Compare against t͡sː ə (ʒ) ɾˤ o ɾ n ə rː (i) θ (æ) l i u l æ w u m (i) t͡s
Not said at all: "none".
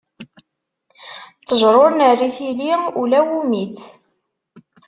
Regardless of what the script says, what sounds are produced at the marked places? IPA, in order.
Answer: ʒ, i, i, i

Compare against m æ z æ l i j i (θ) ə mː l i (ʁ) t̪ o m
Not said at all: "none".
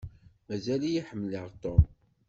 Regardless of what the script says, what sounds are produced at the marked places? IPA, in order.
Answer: ħ, ʁ

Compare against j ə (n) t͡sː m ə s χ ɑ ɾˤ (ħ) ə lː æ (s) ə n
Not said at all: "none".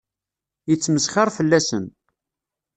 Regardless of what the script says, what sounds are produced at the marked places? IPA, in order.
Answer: none, f, s

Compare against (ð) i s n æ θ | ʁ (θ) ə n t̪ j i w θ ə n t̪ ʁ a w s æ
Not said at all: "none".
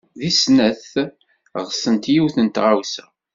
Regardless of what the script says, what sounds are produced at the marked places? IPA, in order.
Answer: ð, s

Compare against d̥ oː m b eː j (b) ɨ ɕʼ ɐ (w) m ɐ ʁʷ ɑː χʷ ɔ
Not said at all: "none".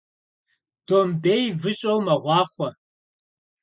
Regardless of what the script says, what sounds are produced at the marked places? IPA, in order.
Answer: v, w

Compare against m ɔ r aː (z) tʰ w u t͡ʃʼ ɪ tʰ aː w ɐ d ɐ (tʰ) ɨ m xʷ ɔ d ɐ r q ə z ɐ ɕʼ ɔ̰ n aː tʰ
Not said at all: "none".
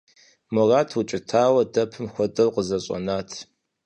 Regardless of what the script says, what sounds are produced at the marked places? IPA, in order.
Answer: none, pʰ

